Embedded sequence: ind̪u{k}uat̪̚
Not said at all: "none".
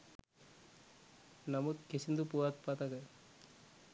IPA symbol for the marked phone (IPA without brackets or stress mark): p